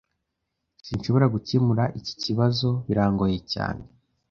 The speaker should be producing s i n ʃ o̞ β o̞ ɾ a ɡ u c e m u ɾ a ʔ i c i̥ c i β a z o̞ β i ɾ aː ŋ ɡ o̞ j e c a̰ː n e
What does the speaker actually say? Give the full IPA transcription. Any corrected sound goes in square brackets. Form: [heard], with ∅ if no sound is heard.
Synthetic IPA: s i n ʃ o̞ β o̞ ɾ a ɡ u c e m u ɾ a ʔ i c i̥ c i β a z o̞ β i ɾ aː ŋ ɡ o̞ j e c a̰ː n e